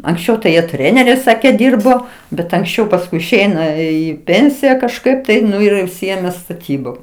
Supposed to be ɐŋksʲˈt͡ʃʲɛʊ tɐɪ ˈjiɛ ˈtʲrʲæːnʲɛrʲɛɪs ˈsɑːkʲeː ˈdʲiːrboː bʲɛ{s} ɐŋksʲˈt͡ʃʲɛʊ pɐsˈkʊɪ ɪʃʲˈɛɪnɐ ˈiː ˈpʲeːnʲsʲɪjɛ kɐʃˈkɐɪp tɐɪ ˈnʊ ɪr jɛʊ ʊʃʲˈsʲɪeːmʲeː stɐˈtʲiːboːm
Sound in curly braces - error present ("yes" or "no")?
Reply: yes